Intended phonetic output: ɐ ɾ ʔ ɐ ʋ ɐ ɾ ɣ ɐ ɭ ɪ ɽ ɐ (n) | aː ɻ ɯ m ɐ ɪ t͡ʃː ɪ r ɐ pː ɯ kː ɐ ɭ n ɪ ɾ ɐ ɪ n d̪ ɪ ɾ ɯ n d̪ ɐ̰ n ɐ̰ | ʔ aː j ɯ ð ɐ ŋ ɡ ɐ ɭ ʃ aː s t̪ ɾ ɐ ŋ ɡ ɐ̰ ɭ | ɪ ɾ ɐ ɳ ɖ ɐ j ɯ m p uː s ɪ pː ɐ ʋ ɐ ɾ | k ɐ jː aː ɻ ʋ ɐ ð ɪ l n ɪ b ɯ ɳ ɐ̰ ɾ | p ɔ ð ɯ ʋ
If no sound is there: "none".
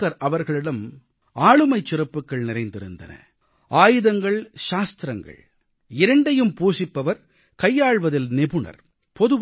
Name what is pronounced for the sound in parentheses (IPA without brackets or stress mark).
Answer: m